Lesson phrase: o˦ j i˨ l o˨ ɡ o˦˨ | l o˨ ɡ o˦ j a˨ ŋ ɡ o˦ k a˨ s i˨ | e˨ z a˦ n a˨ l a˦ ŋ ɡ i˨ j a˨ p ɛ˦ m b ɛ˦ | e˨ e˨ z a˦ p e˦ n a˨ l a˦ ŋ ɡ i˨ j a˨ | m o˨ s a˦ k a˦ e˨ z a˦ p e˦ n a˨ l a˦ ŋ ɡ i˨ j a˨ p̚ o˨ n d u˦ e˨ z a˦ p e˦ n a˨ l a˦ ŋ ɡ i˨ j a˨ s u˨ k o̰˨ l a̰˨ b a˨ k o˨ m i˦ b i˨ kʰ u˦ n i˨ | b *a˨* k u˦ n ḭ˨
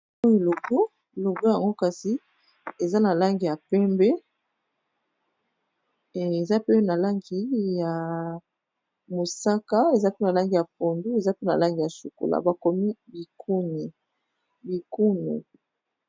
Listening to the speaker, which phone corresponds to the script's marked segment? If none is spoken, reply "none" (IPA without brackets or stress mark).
i˨